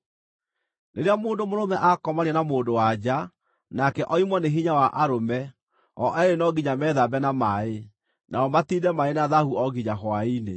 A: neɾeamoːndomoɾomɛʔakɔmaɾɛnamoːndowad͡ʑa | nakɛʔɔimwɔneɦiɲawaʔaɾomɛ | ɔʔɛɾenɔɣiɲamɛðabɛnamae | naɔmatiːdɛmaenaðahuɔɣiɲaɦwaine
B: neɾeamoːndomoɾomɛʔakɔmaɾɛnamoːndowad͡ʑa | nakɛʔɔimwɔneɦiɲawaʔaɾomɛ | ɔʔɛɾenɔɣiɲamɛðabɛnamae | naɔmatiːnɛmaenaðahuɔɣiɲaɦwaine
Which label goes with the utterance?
A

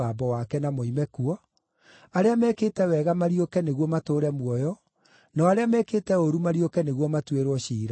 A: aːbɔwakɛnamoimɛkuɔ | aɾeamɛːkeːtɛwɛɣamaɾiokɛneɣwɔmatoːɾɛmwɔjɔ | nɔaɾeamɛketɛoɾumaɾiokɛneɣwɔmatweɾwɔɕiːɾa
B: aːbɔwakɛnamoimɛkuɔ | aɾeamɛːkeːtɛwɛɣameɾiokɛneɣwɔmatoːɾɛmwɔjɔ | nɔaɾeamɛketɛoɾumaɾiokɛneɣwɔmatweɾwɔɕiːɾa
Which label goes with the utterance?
A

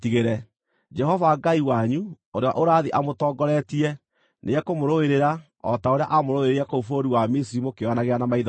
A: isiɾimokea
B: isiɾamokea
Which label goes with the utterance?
A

